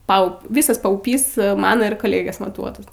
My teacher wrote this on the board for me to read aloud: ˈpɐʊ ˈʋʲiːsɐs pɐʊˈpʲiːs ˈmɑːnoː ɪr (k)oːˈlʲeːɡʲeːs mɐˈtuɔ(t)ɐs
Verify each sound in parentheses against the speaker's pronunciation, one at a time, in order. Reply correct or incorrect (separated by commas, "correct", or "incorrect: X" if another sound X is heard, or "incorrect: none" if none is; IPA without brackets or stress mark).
correct, correct